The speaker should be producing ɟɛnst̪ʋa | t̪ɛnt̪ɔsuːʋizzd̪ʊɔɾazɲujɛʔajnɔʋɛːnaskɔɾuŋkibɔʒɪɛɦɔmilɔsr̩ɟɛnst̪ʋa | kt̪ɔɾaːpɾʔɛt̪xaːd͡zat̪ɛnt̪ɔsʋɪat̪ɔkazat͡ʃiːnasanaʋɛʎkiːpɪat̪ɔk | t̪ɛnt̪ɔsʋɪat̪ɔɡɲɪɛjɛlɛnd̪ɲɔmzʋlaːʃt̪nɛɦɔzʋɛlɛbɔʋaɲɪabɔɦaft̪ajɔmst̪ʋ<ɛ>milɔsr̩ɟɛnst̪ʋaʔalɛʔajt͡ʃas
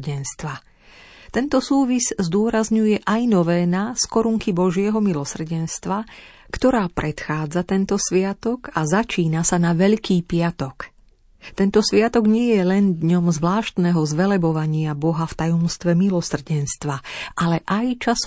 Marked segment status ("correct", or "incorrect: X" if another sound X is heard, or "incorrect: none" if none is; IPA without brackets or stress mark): correct